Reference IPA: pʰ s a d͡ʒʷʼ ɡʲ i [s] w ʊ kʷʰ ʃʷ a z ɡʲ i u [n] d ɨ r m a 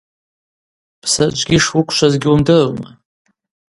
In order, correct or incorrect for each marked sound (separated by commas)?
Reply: incorrect, incorrect